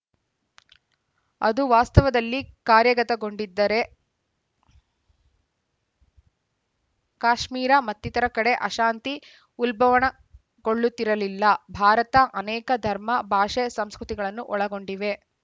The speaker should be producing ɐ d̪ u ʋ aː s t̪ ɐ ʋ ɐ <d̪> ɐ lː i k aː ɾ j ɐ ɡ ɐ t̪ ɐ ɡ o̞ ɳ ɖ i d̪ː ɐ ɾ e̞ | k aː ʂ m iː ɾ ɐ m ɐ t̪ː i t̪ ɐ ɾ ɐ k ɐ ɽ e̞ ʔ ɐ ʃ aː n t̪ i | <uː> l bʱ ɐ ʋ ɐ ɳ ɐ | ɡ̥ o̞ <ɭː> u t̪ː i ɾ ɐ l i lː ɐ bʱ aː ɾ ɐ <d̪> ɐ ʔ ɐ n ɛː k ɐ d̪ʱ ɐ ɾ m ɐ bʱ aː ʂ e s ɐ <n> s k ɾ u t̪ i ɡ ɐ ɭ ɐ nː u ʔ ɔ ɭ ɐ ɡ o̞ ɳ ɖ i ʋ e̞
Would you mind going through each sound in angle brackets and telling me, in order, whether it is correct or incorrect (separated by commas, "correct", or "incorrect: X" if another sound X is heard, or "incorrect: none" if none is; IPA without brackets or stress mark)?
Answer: correct, incorrect: u, correct, incorrect: t̪, incorrect: m